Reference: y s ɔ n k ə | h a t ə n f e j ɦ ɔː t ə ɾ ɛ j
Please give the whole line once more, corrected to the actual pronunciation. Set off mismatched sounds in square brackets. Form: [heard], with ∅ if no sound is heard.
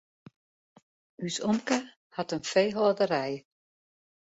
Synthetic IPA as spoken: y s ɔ [m] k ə | h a t ə n f e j ɦ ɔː [d] ə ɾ ɛ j